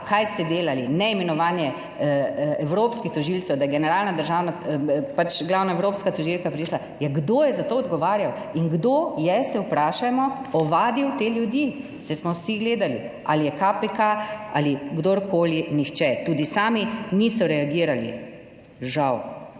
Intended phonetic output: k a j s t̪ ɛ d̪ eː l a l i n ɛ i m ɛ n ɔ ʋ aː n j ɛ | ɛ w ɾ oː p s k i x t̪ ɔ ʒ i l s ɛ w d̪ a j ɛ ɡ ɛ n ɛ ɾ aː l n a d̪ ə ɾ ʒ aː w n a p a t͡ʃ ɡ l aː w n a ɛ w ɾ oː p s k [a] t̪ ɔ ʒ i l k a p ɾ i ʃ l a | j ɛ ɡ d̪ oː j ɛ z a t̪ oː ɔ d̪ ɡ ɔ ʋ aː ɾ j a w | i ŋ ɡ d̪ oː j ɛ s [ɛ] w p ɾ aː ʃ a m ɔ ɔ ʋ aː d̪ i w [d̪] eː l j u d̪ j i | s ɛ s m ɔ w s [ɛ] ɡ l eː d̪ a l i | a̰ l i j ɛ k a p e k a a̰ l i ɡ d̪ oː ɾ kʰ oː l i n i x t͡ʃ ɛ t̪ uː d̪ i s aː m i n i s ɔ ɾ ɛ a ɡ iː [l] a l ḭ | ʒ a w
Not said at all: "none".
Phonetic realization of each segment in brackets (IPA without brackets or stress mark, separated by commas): a, ɛ, t̪, i, ɾ